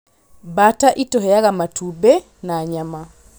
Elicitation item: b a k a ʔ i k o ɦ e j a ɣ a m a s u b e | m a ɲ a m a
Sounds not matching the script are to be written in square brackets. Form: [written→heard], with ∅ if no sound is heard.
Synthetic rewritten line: b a [k→t] a ʔ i [k→t] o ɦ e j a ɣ a m a [s→t] u b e | [m→n] a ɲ a m a